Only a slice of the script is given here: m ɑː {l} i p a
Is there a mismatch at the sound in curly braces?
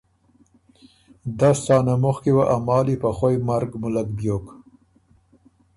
no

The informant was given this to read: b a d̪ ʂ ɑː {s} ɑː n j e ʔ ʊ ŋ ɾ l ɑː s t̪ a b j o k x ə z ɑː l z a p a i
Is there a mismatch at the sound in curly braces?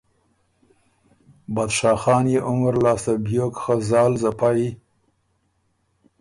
yes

